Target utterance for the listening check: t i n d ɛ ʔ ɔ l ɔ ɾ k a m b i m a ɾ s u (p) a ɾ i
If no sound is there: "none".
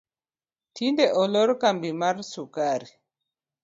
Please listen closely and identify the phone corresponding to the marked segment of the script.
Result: k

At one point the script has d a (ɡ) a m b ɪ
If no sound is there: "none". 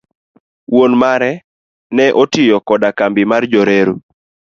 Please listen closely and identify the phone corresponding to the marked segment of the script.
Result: k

